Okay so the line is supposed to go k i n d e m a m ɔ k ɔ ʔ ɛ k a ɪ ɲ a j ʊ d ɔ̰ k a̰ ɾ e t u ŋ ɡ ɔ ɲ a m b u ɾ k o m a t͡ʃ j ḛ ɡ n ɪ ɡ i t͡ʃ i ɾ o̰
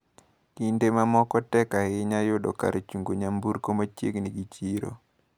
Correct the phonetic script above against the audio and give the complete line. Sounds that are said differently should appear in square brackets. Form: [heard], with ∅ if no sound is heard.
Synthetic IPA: k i n d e m a m ɔ k ɔ [t] ɛ k a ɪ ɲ a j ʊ d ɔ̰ k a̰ ɾ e [t͡ʃ] u ŋ ɡ [o] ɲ a m b u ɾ k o m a t͡ʃ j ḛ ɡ n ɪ ɡ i t͡ʃ i ɾ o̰